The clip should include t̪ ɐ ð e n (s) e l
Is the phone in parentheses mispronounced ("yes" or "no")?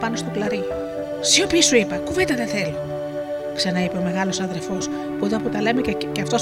yes